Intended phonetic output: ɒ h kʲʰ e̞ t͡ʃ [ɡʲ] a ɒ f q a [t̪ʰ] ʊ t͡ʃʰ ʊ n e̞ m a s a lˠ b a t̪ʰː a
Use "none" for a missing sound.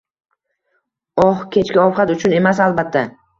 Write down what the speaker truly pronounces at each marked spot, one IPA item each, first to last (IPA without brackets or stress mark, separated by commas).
kʲ, t̪